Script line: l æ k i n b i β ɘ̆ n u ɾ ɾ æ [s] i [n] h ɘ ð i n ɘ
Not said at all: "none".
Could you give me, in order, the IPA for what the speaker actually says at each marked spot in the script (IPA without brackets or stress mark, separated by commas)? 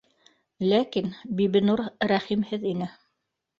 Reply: χ, m